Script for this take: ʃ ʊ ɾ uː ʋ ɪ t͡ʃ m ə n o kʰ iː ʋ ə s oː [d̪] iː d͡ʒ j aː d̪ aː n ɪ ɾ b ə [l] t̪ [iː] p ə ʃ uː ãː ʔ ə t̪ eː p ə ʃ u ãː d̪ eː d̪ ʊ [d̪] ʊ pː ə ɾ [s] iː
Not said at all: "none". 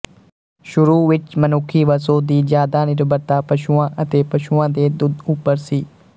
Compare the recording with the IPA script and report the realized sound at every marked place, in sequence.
d̪, ɾ, aː, d̪, s

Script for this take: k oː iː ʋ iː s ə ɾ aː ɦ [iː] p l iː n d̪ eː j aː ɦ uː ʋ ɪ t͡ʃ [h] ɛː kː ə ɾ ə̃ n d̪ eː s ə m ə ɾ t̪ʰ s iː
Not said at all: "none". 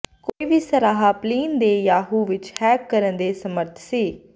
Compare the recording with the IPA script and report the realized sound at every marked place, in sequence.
aː, h

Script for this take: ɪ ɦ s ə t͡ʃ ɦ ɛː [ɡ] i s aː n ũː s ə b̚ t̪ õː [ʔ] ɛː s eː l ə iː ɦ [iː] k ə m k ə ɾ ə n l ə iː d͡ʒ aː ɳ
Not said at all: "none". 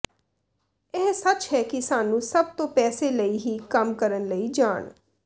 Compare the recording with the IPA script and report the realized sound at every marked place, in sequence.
k, p, iː

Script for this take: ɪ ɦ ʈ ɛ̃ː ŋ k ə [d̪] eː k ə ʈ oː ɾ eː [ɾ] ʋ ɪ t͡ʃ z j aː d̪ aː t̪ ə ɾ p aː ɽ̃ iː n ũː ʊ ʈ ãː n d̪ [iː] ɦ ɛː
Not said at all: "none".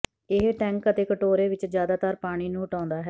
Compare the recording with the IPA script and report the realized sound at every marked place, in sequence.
t̪, none, aː

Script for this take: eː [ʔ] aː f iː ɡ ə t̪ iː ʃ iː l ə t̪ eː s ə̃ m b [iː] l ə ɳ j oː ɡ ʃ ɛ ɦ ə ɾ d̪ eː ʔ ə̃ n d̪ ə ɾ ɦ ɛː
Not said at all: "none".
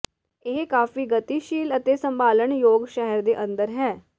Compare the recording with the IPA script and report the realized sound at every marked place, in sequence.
k, aː

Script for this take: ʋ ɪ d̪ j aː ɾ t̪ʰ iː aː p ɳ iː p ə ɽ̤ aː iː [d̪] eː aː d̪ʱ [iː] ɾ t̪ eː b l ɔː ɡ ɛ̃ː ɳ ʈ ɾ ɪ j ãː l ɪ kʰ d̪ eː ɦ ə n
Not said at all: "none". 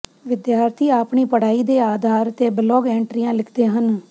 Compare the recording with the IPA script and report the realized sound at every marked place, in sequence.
d̪, aː

